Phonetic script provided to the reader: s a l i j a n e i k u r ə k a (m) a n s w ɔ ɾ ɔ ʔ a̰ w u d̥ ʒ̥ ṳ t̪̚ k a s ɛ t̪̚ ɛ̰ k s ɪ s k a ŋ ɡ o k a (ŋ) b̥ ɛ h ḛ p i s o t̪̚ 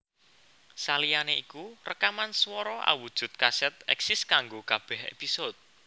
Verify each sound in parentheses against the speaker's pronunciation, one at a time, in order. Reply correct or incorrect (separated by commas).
correct, incorrect